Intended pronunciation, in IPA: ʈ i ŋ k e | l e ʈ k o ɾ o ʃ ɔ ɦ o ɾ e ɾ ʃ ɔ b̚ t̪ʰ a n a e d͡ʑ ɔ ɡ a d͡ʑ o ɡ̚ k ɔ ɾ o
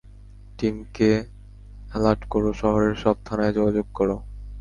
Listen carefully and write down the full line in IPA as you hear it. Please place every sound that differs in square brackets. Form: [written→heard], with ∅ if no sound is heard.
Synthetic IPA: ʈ i [ŋ→m] k e | l [e→a] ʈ k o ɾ o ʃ ɔ ɦ o ɾ e ɾ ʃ ɔ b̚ t̪ʰ a n a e d͡ʑ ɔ ɡ a d͡ʑ o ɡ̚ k ɔ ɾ o